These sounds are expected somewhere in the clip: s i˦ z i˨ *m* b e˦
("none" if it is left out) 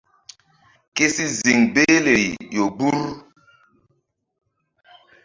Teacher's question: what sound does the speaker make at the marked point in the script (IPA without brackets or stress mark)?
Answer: ŋ